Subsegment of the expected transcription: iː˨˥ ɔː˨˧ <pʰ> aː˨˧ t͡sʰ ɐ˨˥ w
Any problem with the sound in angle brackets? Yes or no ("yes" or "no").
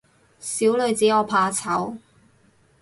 no